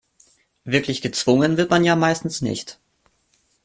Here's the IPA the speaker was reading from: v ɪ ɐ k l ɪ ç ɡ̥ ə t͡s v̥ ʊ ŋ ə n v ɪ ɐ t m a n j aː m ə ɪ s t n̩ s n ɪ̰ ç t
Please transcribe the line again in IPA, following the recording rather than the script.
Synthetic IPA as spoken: v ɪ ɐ k l ɪ ç ɡ̥ ə t͡s v̥ ʊ ŋ ə n v ɪ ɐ t m a n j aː m a ɪ s t n̩ s n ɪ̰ ç t